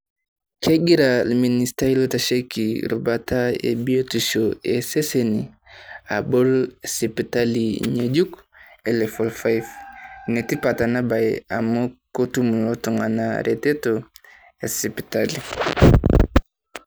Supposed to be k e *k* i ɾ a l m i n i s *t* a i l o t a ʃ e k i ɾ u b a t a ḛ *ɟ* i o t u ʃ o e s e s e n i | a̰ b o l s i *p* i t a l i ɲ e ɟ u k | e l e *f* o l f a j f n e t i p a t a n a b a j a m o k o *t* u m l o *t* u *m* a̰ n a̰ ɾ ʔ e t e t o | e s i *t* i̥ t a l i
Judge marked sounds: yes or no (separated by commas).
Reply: no, yes, no, yes, yes, yes, yes, no, no